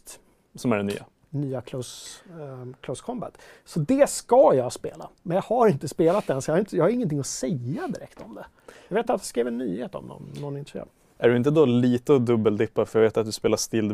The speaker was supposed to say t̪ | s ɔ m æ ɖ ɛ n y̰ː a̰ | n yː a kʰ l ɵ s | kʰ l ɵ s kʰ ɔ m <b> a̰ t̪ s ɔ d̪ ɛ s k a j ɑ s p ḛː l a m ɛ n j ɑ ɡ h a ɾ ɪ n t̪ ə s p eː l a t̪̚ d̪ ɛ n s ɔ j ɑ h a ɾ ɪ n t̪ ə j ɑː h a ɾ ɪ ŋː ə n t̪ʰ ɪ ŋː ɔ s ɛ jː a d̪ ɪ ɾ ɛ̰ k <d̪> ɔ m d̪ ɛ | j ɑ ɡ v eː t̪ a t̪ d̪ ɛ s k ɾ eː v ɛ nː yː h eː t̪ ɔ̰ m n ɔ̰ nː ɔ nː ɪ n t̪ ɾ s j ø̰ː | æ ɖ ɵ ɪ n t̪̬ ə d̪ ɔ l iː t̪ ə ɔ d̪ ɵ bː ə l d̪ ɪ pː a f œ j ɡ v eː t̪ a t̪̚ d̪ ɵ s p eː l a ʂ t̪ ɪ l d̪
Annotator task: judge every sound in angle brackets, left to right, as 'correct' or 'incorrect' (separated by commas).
correct, incorrect